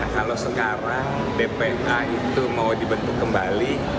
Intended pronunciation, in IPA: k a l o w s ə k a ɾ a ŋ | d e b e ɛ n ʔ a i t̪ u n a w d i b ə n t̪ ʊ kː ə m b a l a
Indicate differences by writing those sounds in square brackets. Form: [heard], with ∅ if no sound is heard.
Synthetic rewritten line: k a l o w s ə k a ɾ a ŋ | d e [p] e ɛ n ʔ a i t̪ u [m] a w d i b ə n t̪ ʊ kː ə m b a l [i]